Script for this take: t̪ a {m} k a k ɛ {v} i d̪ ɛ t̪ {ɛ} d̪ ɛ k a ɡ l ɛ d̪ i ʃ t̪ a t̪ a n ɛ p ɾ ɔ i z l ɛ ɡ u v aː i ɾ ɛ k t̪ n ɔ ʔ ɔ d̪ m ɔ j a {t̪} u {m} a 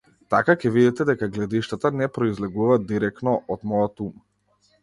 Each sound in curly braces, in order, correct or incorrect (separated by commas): incorrect, correct, correct, correct, correct